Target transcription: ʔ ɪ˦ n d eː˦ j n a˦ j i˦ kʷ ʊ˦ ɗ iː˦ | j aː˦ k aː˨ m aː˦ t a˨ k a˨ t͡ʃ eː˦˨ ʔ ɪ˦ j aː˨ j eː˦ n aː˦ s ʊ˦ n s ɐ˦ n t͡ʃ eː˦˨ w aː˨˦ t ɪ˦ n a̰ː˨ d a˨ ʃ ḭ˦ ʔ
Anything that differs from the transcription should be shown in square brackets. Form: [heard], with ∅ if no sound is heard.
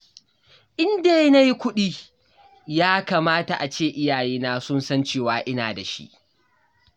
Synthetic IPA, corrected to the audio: ʔ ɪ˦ n d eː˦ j n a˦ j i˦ kʷ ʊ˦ ɗ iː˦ | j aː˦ k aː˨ m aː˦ t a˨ [ʔ] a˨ t͡ʃ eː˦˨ ʔ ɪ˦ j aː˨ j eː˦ n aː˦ s ʊ˦ n s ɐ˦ n t͡ʃ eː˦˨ w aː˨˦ [ʔ] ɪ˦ n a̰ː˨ d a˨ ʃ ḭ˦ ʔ

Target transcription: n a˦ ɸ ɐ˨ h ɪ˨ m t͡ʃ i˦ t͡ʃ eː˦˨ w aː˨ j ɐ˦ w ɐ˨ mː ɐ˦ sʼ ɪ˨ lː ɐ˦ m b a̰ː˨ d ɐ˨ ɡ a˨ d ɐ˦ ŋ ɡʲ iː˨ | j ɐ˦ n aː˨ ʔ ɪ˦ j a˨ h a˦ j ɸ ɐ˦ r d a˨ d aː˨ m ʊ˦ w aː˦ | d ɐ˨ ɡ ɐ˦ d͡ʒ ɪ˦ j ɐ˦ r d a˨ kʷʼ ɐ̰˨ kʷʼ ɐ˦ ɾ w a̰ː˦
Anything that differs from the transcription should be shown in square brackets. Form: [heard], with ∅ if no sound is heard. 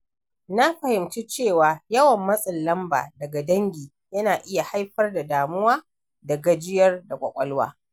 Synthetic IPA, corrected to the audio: n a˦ ɸ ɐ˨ h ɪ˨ m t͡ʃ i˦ t͡ʃ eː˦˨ w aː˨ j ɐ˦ w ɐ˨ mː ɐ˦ sʼ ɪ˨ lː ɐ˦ m b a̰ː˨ d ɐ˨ ɡ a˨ d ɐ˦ ŋ ɡʲ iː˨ | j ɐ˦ n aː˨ ʔ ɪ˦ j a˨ h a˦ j ɸ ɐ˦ r d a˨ d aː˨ m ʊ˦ w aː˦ | d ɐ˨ ɡ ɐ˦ d͡ʒ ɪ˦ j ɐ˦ r d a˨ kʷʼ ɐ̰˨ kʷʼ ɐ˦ [l] w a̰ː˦

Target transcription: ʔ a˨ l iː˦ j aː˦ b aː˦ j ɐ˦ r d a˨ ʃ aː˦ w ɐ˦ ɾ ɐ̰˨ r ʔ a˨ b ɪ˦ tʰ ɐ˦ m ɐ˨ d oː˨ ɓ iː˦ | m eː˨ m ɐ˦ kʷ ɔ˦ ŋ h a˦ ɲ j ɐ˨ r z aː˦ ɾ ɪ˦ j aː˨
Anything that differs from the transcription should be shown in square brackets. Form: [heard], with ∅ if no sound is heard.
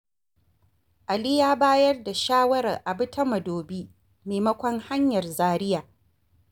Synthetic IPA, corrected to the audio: ʔ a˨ l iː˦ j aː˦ b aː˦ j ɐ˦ r d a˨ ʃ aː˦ w ɐ˦ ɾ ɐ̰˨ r ʔ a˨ b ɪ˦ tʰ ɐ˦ m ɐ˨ d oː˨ [b] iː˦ | m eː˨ m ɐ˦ kʷ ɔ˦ ŋ h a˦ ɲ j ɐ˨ r z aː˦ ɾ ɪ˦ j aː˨

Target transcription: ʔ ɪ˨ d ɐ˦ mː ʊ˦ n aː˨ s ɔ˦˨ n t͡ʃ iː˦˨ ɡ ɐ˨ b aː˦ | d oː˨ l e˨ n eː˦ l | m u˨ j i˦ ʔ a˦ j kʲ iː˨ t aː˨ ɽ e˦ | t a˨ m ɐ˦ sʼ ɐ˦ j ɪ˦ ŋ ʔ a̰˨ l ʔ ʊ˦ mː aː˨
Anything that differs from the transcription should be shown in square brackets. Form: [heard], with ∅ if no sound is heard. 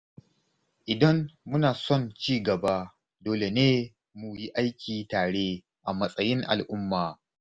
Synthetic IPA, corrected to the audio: ʔ ɪ˨ d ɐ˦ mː ʊ˦ n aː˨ s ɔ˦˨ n t͡ʃ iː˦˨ ɡ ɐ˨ b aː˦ | d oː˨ l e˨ n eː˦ [∅] | m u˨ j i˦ ʔ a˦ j kʲ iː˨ t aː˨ ɽ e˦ | [ʔ] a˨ m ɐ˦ sʼ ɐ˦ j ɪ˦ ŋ ʔ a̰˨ l ʔ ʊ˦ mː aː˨

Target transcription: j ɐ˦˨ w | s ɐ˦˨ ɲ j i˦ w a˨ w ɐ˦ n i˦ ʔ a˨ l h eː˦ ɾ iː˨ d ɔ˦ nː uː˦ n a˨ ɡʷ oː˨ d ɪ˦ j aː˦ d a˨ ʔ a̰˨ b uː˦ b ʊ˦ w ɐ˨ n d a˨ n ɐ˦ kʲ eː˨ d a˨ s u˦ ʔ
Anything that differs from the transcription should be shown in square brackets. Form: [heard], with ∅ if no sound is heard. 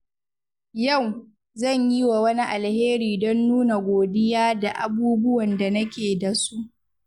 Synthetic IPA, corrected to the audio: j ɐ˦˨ w | [z] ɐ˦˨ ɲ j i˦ w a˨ w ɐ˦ n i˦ ʔ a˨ l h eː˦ ɾ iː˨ d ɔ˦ nː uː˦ n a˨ ɡʷ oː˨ d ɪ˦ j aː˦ d a˨ ʔ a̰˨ b uː˦ b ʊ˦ w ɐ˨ n d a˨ n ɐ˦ kʲ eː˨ d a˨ s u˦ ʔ

